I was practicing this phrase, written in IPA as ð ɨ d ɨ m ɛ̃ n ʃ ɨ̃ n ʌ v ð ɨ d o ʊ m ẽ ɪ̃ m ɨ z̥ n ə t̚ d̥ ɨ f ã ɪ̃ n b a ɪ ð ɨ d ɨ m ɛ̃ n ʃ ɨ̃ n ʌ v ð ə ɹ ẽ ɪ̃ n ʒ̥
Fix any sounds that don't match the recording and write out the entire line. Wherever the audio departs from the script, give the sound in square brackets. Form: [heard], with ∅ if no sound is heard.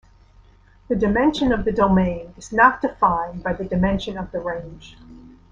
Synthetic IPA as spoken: ð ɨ d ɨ m ɛ̃ n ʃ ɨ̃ n ʌ v ð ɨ d o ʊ m ẽ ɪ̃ [n] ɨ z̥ n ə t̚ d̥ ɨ f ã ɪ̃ n b a ɪ ð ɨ d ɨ m ɛ̃ n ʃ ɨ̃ n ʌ v ð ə ɹ ẽ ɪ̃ n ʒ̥